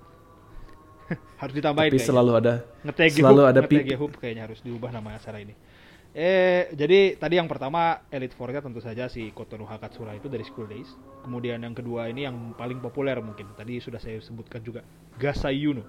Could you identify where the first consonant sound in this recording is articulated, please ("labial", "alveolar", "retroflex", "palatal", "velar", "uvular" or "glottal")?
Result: glottal